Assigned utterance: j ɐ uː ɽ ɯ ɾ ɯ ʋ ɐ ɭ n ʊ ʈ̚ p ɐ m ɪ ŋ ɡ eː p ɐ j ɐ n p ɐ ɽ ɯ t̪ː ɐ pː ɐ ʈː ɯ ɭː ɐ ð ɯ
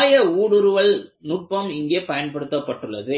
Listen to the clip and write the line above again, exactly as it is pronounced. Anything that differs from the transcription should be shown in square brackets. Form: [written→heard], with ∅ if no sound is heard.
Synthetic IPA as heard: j ɐ uː ɽ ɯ ɾ ɯ ʋ ɐ ɭ n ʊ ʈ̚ p ɐ m ɪ ŋ ɡ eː p ɐ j ɐ n p ɐ ɽ ɯ t̪ː ɐ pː ɐ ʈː ɯ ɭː ɐ ð ɯ